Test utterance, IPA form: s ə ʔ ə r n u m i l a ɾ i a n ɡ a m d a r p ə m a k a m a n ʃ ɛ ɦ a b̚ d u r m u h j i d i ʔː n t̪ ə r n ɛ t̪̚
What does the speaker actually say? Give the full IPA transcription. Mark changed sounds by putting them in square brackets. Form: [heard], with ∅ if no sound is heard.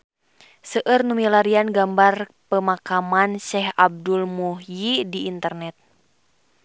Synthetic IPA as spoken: s ə ʔ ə r n u m i l a ɾ i a n ɡ a m [b] a r p ə m a k a m a n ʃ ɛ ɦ a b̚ d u [l] m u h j i d i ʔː n t̪ ə r n ɛ t̪̚